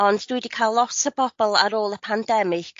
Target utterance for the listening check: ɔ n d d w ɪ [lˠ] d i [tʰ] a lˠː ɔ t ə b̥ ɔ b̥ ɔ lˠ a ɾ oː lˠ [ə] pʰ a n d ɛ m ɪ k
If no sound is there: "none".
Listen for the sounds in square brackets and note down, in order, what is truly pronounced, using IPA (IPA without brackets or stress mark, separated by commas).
none, kʰ, ə